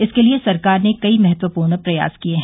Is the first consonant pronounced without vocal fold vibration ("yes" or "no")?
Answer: yes